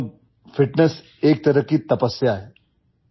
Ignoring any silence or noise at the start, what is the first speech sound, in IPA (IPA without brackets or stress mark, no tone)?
f